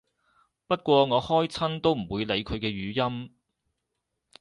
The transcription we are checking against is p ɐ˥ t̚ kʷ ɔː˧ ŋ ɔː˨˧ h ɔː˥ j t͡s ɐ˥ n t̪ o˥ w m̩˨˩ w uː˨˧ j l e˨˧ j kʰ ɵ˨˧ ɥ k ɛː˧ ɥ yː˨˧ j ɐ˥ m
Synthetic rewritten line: p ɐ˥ t̚ kʷ ɔː˧ ŋ ɔː˨˧ h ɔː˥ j t͡sʰ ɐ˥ n t̪ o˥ w m̩˨˩ w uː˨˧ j l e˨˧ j kʰ ɵ˨˧ ɥ k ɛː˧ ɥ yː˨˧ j ɐ˥ m